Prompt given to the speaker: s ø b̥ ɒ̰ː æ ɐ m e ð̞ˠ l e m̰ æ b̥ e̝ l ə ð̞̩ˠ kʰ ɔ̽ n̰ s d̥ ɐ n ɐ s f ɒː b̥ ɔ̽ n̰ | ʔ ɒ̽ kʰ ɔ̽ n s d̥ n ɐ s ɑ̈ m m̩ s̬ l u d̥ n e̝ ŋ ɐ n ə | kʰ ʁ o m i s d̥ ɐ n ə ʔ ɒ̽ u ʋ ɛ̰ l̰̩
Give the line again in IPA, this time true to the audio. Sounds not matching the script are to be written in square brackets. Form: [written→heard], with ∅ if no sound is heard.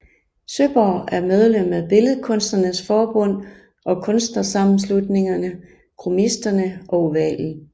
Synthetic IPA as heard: s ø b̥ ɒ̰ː æ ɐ m e ð̞ˠ l e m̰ æ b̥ e̝ l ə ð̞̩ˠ kʰ ɔ̽ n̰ s d̥ ɐ n [ɐ→ə] s f ɒː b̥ ɔ̽ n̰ | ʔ ɒ̽ kʰ ɔ̽ n s d̥ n ɐ s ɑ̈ m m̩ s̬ l u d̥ n e̝ ŋ ɐ n ə | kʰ ʁ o m i s d̥ ɐ n ə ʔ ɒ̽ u ʋ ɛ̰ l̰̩